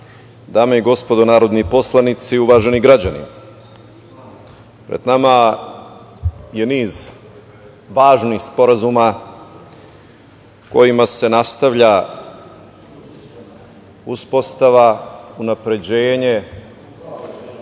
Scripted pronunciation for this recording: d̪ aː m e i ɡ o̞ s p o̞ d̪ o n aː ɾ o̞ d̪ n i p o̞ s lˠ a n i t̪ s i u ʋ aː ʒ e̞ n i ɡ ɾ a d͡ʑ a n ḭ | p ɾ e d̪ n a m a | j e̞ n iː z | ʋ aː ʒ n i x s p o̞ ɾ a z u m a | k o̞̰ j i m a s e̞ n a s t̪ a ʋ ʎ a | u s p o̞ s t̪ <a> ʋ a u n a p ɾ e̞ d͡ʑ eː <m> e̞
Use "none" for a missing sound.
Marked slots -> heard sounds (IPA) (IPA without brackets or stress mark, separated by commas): a, ɲ